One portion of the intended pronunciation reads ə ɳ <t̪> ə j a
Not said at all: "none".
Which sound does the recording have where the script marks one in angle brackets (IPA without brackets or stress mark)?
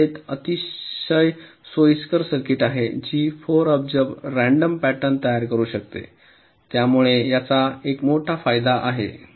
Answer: t̪